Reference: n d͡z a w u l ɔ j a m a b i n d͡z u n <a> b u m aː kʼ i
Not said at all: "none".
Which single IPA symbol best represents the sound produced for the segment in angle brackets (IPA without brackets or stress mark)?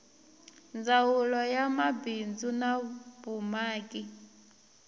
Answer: a